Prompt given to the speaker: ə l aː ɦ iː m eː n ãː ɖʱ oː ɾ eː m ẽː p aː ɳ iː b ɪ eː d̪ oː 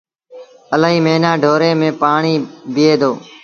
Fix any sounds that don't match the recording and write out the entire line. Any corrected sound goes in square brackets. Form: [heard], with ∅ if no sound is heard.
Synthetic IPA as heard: ə l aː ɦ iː m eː n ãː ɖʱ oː ɾ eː m ẽː p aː ɳ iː b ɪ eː d̪ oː